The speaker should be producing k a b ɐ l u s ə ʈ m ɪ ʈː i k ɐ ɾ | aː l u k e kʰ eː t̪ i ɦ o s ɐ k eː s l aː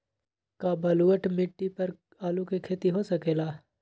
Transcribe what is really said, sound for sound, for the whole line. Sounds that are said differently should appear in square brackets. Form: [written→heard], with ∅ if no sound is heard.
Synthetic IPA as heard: k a b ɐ l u [s→∅] ə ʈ m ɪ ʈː i [k→p] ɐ ɾ | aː l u k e kʰ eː t̪ i ɦ o s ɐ k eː [s→∅] l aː